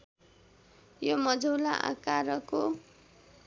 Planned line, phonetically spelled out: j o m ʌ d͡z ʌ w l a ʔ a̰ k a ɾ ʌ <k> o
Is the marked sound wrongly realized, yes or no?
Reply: no